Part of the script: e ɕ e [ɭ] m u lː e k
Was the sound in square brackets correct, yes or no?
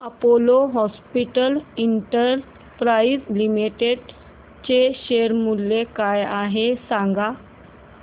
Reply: no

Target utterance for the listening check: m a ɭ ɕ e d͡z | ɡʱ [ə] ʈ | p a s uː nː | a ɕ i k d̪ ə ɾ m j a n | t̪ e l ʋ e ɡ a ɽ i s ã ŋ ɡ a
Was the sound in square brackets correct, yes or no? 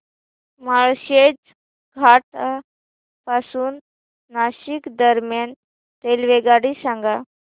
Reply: no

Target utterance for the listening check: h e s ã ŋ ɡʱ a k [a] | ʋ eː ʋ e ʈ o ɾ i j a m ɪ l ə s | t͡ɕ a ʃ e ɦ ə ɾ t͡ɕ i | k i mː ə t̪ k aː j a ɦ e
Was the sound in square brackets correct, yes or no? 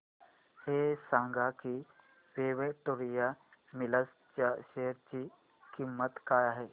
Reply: no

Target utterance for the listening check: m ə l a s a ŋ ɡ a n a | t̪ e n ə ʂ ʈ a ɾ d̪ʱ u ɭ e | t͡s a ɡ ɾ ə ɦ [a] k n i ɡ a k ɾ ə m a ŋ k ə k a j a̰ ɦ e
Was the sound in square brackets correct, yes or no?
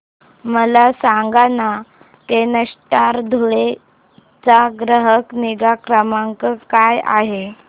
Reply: no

